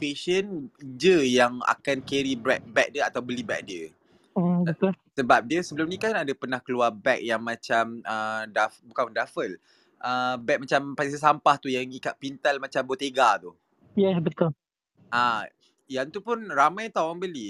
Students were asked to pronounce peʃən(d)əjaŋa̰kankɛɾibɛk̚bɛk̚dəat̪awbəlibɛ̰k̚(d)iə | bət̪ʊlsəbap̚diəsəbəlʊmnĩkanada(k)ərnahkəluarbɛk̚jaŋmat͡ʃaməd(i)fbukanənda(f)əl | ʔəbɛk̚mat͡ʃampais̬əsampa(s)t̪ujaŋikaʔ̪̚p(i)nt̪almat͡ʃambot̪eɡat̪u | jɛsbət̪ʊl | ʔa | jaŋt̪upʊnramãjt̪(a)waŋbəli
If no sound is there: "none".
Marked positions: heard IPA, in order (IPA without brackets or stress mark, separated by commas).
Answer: d͡ʒ, d, p, a, f, h, i, a